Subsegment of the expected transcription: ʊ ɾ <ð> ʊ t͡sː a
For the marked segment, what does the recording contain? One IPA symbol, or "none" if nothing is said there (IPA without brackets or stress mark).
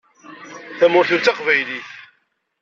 θ